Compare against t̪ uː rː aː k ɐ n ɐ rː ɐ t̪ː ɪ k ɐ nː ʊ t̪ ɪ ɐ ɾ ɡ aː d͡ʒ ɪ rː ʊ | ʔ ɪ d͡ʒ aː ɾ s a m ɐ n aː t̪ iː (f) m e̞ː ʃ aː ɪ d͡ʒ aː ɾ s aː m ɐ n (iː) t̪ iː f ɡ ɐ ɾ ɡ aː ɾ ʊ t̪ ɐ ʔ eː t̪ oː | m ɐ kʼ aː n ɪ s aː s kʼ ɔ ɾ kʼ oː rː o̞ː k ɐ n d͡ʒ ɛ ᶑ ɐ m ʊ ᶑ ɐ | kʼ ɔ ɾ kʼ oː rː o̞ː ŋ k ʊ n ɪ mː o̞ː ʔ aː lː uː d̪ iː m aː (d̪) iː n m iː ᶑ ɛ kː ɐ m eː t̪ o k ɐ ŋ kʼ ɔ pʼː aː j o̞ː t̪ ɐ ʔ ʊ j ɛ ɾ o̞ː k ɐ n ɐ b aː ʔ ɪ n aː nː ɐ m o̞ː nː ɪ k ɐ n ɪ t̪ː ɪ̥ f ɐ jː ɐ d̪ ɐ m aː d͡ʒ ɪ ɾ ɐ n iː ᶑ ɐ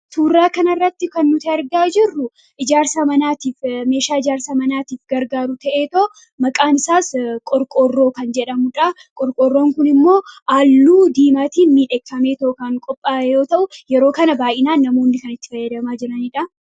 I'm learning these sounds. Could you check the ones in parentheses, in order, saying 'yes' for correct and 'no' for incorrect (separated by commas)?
yes, no, no